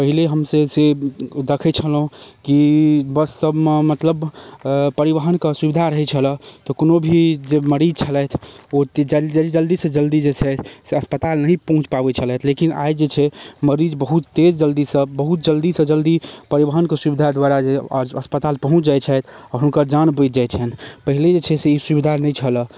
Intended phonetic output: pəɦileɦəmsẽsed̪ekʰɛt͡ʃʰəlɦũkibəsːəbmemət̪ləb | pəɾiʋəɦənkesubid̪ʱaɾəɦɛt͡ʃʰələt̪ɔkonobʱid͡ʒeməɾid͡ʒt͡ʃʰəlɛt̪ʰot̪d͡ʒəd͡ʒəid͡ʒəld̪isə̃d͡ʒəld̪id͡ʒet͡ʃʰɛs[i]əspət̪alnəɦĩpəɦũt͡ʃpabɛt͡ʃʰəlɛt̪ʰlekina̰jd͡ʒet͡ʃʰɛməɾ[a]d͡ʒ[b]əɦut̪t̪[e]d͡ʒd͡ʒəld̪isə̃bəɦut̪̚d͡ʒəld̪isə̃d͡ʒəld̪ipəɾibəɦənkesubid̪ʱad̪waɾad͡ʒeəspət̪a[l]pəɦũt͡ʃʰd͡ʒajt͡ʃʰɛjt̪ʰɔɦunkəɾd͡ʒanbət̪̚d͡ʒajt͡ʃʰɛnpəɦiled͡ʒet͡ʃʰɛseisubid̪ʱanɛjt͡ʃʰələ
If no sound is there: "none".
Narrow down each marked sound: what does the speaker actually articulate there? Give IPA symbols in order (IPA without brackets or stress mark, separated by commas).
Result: e, i, b, e, l